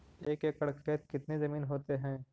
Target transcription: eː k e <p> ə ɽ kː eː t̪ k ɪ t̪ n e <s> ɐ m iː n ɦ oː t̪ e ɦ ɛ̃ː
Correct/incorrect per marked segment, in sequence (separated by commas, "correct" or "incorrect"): incorrect, incorrect